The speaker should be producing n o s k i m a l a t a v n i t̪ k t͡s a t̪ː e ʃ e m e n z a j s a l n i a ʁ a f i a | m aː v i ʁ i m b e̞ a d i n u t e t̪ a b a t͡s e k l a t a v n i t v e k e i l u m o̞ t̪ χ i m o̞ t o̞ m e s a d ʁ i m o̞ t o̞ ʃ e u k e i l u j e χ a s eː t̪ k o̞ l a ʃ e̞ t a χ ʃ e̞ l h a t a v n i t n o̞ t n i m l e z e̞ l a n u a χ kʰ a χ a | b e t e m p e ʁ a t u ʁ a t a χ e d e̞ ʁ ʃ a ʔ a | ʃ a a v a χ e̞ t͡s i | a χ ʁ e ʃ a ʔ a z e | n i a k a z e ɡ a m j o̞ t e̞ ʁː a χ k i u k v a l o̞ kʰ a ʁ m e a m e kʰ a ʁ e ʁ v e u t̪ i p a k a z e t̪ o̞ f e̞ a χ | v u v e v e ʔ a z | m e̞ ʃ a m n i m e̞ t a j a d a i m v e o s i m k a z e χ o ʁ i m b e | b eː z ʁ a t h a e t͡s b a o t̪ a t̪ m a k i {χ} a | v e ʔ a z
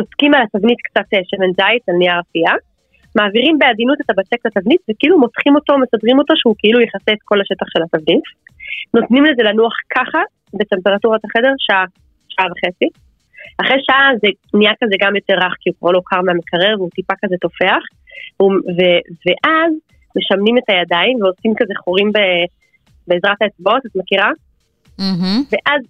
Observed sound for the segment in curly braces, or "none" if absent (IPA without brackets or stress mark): ʁ